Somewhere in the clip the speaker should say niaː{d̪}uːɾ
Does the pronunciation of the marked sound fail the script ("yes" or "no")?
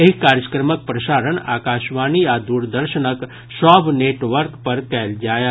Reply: no